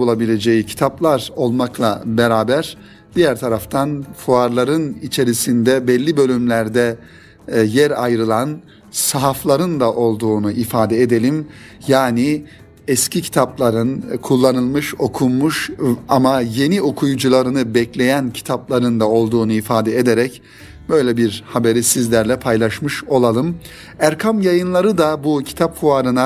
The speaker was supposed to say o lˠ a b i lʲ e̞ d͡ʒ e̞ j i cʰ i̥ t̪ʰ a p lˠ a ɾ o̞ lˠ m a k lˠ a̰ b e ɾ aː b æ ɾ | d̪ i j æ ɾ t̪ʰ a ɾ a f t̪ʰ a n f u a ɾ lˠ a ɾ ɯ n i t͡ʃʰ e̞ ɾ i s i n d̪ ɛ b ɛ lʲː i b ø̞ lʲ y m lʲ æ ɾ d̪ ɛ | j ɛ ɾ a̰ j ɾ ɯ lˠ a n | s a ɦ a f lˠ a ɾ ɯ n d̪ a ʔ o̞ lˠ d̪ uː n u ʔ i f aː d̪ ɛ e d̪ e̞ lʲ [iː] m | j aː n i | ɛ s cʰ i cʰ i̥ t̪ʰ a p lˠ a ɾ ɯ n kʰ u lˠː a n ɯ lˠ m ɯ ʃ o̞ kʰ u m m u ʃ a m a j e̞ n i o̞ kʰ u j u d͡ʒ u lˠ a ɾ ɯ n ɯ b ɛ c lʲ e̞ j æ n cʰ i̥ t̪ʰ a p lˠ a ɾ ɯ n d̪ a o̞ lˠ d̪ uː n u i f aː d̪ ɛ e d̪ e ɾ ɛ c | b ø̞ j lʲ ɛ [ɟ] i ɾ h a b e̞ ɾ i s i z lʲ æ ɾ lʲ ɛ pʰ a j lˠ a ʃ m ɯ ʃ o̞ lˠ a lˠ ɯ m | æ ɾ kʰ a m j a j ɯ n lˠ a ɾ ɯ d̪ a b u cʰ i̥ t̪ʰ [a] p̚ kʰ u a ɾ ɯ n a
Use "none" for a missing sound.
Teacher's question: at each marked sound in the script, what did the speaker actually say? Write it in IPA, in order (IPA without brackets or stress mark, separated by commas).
i, b, a